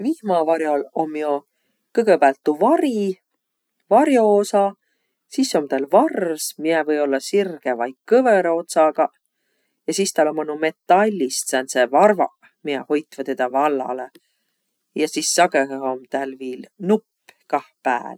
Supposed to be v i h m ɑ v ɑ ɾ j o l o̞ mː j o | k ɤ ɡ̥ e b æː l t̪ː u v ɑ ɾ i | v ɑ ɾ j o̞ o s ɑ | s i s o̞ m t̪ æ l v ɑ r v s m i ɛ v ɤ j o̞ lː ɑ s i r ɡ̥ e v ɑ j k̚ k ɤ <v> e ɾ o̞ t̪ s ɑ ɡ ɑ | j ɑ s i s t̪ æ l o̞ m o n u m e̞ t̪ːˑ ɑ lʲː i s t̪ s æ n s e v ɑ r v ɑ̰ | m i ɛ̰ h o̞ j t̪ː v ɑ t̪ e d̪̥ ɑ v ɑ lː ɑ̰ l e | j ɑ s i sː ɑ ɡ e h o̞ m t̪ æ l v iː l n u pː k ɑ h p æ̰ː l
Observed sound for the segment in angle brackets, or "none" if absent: v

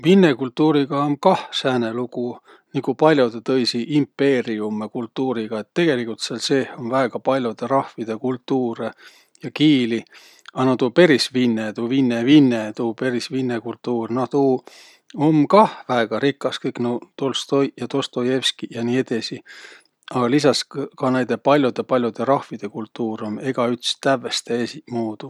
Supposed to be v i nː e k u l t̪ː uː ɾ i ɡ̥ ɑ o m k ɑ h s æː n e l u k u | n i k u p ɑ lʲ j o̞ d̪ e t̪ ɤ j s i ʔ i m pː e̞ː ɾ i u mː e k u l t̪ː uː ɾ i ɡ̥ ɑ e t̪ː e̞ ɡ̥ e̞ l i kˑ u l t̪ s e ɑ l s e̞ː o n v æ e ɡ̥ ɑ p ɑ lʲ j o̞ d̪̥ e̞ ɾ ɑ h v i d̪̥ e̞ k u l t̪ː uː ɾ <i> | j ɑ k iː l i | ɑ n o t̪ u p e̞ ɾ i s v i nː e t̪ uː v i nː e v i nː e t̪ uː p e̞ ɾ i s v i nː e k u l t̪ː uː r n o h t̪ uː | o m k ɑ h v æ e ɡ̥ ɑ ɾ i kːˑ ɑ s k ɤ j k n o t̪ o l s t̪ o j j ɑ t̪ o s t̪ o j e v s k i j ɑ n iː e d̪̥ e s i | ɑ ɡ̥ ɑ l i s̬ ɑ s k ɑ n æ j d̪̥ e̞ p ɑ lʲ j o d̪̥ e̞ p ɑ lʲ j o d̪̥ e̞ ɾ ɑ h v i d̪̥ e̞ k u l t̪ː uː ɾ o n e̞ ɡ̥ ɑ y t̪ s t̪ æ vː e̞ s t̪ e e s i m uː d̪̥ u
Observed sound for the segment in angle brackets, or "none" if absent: e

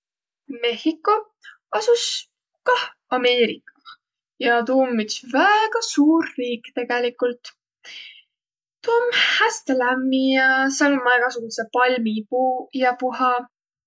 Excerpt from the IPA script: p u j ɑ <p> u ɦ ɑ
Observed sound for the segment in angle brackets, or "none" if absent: p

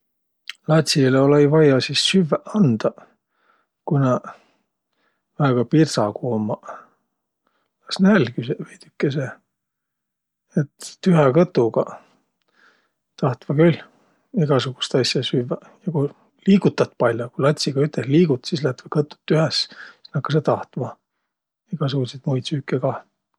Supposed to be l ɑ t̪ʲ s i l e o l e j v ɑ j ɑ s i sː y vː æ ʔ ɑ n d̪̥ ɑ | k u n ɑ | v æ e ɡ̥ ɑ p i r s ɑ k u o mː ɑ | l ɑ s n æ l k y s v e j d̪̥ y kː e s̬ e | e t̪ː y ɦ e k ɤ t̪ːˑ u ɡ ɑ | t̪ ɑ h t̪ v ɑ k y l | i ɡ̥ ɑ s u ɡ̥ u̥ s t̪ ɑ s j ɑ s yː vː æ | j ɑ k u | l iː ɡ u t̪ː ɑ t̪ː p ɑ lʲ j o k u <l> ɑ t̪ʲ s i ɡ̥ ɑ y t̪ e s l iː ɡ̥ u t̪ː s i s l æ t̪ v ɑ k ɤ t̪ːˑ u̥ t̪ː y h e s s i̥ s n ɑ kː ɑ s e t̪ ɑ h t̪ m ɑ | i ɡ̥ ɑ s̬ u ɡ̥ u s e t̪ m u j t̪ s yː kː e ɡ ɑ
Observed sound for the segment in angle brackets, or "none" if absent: l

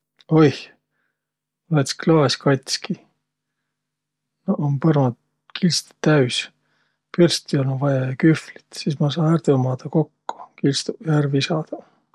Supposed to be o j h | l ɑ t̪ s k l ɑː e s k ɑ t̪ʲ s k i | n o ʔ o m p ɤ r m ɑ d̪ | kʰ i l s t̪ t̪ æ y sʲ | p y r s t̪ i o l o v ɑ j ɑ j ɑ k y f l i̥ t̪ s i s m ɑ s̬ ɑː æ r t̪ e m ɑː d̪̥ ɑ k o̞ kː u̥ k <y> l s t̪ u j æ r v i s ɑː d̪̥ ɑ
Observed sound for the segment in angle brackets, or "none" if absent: i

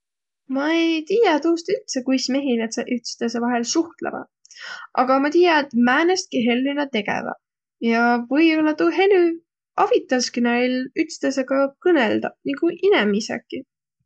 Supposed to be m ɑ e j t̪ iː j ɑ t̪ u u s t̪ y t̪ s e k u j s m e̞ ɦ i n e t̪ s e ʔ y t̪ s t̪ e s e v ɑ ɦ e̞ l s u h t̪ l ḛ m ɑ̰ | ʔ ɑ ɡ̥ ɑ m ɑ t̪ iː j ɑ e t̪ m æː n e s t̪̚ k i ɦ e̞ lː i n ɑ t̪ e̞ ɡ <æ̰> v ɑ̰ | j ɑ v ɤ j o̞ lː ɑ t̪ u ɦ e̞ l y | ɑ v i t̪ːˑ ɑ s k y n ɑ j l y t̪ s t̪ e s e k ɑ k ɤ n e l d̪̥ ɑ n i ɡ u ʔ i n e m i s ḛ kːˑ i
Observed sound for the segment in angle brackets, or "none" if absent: ḛ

